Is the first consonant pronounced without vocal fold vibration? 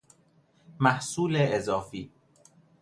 no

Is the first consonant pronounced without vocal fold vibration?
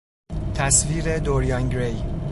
yes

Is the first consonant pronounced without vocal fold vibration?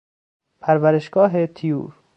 yes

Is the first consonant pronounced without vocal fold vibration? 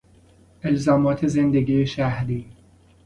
no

